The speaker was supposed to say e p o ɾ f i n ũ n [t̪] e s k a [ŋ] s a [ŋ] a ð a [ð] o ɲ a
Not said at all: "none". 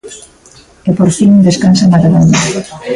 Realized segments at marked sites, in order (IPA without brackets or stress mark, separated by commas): d̪, n, m, ð